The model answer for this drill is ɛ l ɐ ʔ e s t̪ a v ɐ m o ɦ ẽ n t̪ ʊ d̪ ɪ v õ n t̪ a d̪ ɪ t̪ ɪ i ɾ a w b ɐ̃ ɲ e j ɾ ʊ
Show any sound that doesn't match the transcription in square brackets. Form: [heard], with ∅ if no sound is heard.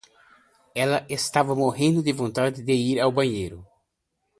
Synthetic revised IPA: ɛ l ɐ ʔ e s t̪ a v ɐ m o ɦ ẽ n [d̪] ʊ d̪ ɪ v õ n t̪ a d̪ ɪ [d̪] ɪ i ɾ a w b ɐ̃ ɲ e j ɾ ʊ

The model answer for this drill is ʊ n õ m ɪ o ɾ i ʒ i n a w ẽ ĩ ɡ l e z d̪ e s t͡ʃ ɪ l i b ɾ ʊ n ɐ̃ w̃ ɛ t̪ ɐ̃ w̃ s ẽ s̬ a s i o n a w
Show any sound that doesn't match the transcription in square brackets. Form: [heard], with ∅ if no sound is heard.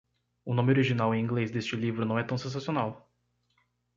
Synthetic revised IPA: ʊ n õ m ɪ o ɾ i ʒ i n a w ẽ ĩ ɡ l e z d̪ e s t͡ʃ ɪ l i [v] ɾ ʊ n ɐ̃ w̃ ɛ t̪ ɐ̃ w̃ s ẽ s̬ a s i o n a w

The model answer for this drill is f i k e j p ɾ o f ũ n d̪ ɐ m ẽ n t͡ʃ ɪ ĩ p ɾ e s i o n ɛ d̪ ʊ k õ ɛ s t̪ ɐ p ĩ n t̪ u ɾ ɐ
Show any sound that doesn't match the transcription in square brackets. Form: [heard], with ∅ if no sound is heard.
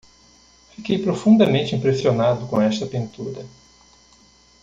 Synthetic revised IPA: f i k e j p ɾ o f ũ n d̪ ɐ m ẽ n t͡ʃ ɪ ĩ p ɾ e s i o n [a] d̪ ʊ k õ ɛ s t̪ ɐ p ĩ n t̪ u ɾ ɐ

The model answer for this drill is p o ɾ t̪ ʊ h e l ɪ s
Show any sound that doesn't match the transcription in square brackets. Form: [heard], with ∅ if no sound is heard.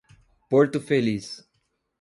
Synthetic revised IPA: p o ɾ t̪ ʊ [f] e l [i] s

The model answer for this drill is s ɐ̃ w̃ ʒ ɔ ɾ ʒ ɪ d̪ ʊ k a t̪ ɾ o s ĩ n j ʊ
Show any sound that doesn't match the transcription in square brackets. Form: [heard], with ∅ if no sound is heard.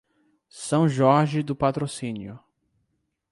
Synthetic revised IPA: s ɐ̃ w̃ ʒ ɔ ɾ ʒ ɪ d̪ ʊ [p] a t̪ ɾ o s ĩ n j ʊ

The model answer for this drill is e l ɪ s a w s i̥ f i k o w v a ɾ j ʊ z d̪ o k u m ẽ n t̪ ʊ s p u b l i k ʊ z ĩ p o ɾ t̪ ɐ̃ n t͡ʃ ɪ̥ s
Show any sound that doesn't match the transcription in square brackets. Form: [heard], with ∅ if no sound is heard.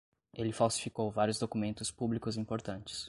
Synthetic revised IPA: e l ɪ [f] a w s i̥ f i k o w v a ɾ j ʊ z d̪ o k u m ẽ n t̪ ʊ s p u b l i k ʊ z ĩ p o ɾ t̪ ɐ̃ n t͡ʃ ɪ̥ s

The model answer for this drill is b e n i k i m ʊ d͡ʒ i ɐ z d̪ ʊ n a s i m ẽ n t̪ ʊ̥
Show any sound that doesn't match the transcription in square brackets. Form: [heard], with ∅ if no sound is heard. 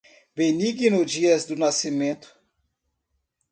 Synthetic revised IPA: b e n i [ɡ] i [n] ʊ d͡ʒ i ɐ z d̪ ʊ n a s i m ẽ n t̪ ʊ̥

